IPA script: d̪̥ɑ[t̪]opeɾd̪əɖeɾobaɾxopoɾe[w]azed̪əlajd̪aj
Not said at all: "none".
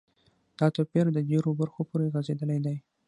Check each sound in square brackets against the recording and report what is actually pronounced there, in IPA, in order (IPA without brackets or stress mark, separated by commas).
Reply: t̪, ɣ